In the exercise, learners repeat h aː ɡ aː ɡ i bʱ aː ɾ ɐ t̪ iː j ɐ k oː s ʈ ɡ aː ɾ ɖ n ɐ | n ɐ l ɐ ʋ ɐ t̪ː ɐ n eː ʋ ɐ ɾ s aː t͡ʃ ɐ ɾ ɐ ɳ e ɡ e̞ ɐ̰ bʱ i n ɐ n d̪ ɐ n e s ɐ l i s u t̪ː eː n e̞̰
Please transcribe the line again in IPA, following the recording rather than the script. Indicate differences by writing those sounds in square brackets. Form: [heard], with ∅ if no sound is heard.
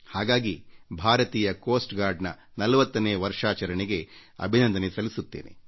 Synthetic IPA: h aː ɡ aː ɡ i bʱ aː ɾ ɐ t̪ iː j ɐ k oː s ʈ ɡ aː ɾ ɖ n ɐ | n ɐ l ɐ ʋ ɐ t̪ː ɐ n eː ʋ ɐ ɾ [ʂ] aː t͡ʃ ɐ ɾ ɐ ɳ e ɡ e̞ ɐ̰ bʱ i n ɐ n d̪ ɐ n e s ɐ l i s u t̪ː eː n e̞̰